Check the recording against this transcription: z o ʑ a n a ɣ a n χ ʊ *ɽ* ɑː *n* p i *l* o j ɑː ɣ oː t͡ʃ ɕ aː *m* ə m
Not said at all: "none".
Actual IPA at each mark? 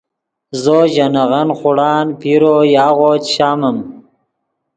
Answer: ɽ, n, ɾ, m

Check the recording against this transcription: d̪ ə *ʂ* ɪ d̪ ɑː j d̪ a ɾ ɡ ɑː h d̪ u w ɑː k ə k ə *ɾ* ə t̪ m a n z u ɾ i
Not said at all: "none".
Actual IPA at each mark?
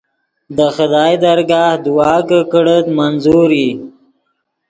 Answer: x, ɽ

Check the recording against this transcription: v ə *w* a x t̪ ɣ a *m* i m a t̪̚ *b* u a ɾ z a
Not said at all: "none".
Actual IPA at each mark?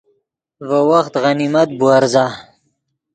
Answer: w, n, b

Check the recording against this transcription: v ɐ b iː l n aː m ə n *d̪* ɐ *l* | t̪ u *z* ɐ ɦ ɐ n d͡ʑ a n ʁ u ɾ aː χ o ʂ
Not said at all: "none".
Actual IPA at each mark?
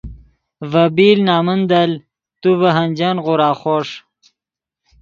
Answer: d̪, l, v

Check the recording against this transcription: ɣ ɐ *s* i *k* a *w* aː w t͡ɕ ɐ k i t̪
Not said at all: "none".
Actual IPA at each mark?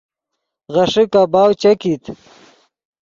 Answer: ʂ, k, b

